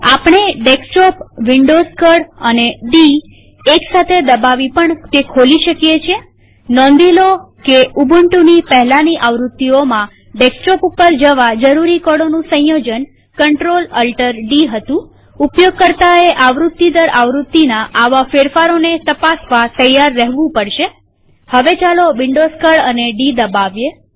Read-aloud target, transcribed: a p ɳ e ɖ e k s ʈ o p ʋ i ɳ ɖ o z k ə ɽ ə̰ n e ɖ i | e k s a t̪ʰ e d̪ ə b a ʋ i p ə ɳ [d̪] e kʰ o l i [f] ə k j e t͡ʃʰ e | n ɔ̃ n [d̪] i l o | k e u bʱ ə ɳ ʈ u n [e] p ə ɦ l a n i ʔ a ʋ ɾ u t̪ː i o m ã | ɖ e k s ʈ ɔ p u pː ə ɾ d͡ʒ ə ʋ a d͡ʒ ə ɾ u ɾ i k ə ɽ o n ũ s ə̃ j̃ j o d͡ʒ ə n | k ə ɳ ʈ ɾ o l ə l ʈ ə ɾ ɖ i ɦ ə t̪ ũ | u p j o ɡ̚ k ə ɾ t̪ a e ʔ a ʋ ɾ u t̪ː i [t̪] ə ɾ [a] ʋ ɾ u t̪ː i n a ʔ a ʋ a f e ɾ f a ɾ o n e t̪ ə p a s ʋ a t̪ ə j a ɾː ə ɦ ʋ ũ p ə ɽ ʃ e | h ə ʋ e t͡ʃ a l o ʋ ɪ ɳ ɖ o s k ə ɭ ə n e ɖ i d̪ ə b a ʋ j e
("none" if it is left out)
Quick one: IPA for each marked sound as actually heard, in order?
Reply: t̪, ʃ, d̪, i, d̪, a

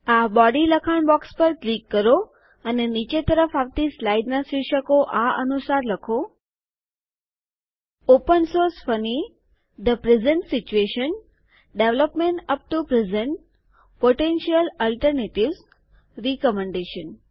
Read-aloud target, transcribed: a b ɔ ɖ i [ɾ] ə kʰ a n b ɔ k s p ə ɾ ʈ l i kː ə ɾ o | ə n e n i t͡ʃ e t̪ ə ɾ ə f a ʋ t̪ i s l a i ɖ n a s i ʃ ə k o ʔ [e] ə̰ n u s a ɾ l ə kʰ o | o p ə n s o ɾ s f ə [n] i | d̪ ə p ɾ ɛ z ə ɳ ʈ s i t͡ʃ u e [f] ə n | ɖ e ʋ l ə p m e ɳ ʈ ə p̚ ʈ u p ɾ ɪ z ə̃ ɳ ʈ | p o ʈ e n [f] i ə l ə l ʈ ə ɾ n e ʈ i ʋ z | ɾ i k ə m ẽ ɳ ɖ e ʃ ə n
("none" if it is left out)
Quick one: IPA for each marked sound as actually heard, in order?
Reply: l, a, n, ʃ, ʃ

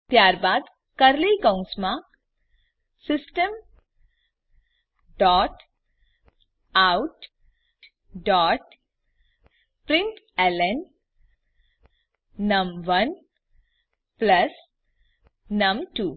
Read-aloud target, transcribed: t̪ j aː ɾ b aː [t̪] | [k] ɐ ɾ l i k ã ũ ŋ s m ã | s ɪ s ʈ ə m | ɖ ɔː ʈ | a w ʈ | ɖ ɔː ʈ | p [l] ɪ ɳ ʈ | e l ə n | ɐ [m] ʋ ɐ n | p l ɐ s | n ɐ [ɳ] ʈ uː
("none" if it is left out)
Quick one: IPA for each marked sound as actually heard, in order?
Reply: d̪, k, ɾ, m, m

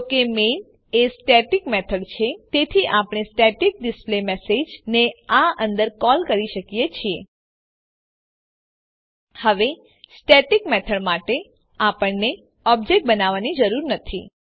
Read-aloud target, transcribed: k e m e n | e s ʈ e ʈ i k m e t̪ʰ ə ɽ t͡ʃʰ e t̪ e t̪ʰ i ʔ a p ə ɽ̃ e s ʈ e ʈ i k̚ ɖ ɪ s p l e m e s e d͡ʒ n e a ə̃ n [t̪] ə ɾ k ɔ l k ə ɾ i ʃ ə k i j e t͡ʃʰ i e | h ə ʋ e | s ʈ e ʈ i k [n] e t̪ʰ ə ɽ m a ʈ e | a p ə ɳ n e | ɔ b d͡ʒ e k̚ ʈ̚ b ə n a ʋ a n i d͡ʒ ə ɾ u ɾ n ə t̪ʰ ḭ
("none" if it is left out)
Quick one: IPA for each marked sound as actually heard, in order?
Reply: d̪, m

